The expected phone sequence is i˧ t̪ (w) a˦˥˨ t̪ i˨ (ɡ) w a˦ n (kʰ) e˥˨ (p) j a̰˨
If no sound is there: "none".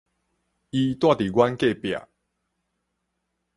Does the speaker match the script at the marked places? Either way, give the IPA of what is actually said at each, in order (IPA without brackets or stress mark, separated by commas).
w, ɡ, k, p